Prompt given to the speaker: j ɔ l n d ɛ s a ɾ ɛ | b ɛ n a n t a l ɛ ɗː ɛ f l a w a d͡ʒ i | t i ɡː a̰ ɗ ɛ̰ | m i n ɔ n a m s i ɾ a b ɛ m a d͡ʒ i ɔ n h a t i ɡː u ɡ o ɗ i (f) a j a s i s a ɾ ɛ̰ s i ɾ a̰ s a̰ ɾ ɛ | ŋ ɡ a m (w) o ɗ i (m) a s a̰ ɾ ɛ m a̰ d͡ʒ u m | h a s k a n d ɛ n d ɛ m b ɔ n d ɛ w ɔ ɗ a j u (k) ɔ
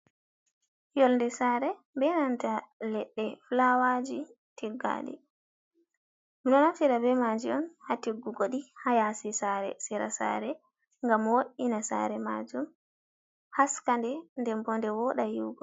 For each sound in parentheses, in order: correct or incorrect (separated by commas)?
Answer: incorrect, correct, incorrect, incorrect